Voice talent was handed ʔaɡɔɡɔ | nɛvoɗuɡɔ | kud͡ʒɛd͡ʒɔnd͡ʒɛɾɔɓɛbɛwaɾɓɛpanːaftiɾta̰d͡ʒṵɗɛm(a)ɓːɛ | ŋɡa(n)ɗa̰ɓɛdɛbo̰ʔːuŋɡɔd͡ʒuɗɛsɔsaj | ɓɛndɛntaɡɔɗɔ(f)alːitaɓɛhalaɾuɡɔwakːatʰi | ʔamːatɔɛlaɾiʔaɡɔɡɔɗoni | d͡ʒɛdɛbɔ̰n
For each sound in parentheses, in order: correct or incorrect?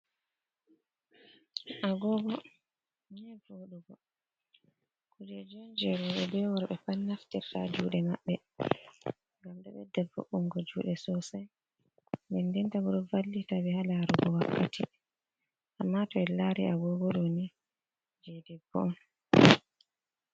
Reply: correct, incorrect, incorrect

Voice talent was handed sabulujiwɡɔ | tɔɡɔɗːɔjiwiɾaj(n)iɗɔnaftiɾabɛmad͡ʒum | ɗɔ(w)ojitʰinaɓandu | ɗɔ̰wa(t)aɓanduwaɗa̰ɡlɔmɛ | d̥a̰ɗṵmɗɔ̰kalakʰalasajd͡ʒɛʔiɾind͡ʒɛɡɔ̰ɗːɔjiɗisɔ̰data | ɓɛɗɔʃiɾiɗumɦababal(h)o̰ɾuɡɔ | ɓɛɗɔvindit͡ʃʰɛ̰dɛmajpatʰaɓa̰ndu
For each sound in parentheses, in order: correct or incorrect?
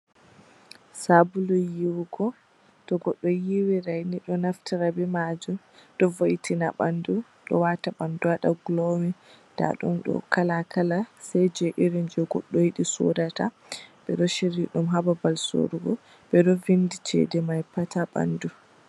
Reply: correct, incorrect, correct, incorrect

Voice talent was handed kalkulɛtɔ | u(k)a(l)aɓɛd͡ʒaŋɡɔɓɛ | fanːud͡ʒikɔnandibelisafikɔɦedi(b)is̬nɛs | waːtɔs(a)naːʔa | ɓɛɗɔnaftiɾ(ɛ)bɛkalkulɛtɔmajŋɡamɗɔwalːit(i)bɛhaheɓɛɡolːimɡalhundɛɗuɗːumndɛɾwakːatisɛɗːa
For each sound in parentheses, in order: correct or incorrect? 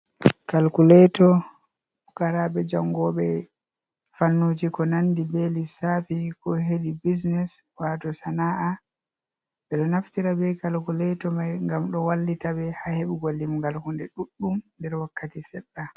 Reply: correct, incorrect, correct, correct, incorrect, incorrect

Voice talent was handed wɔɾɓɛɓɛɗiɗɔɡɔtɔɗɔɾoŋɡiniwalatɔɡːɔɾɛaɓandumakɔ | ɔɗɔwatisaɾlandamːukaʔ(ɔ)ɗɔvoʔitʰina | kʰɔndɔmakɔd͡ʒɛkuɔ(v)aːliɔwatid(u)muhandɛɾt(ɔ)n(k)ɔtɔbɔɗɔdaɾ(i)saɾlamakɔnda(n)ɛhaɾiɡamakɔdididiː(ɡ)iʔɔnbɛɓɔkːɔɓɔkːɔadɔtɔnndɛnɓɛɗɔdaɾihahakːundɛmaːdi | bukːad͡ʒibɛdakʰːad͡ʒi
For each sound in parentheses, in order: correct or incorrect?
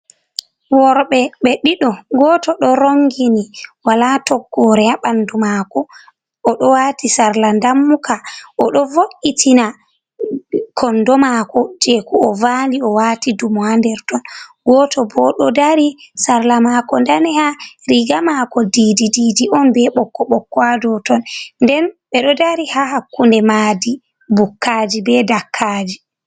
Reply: correct, correct, correct, correct, incorrect, correct, correct, incorrect

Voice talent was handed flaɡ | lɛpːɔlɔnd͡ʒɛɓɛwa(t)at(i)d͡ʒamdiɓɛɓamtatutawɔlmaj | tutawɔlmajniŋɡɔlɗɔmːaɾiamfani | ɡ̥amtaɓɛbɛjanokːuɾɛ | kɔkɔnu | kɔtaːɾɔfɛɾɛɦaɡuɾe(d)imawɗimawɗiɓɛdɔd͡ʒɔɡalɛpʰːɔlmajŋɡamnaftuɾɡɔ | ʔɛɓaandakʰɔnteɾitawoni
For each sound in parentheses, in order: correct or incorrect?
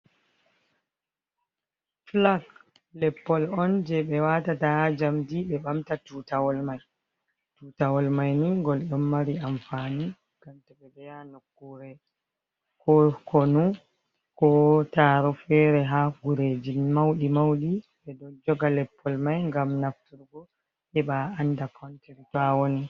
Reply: correct, incorrect, incorrect

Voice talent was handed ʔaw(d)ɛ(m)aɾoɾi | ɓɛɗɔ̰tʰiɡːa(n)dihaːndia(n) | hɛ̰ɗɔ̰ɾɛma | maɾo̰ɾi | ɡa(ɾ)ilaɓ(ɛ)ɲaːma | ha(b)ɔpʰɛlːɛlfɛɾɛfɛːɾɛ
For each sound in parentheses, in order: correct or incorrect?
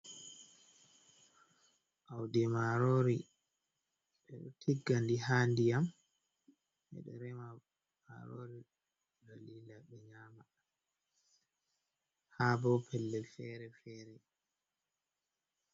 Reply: correct, correct, correct, incorrect, incorrect, correct, correct

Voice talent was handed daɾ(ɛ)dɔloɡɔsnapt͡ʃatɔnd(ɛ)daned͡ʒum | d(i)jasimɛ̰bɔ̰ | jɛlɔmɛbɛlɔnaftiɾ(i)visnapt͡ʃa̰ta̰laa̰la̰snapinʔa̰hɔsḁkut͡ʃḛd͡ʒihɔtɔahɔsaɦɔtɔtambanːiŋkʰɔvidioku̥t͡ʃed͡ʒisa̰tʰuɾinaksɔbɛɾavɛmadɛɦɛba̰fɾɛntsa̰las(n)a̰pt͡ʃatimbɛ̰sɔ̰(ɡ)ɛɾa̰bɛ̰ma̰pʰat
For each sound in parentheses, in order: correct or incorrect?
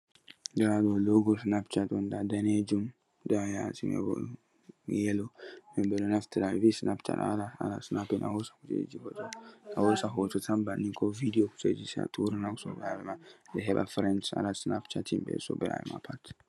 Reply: incorrect, incorrect, incorrect, incorrect, correct, incorrect

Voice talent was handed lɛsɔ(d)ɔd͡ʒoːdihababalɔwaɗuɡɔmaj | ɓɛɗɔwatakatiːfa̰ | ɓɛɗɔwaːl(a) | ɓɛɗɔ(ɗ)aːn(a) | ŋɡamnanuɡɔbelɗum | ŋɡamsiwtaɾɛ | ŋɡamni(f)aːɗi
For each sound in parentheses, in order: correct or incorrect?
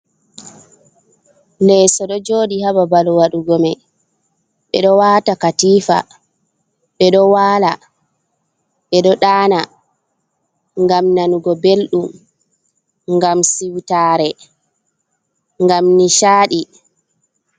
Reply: incorrect, correct, correct, correct, incorrect

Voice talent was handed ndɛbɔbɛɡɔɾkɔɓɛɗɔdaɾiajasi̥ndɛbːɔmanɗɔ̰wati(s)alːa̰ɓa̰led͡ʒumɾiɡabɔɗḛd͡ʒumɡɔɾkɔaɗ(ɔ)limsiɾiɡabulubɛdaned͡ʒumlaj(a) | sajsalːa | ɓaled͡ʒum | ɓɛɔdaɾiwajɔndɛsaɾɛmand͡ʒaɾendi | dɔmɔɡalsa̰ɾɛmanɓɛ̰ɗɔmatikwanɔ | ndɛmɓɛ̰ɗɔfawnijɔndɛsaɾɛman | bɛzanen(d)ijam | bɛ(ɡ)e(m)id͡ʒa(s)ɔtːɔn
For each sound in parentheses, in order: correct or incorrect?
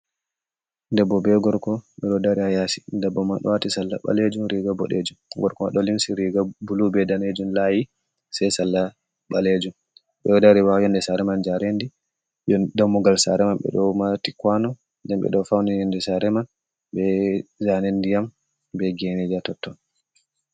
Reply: correct, correct, incorrect, correct, correct, incorrect, incorrect

